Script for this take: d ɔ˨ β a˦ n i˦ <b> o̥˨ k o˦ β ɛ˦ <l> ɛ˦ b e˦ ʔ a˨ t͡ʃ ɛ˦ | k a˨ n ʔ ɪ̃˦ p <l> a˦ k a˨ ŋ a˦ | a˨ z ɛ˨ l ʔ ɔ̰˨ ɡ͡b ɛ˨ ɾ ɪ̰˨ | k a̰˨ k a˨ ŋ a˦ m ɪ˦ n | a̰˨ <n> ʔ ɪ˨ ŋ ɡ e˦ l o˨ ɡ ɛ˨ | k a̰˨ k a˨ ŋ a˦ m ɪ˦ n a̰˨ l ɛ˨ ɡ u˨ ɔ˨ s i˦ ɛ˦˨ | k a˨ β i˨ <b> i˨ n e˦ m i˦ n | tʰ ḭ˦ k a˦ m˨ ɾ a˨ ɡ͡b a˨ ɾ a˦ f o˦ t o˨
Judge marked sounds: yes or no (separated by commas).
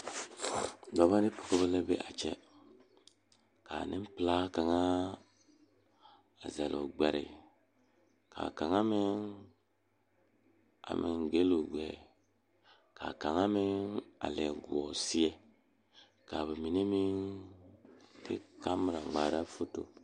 no, yes, yes, no, no